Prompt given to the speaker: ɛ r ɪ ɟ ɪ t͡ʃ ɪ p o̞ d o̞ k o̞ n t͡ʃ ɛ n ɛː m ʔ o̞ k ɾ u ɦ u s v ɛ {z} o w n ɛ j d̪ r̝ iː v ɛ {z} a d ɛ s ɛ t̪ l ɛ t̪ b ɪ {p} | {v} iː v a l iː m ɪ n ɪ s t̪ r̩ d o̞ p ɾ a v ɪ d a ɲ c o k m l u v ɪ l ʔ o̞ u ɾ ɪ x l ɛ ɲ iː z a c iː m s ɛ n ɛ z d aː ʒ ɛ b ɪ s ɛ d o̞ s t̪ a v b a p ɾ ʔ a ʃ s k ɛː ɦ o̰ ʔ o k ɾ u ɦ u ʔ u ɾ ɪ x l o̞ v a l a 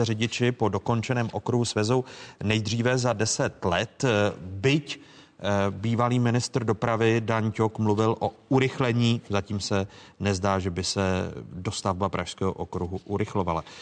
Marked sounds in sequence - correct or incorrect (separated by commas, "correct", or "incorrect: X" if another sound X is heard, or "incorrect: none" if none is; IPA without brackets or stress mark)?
correct, correct, incorrect: c, incorrect: b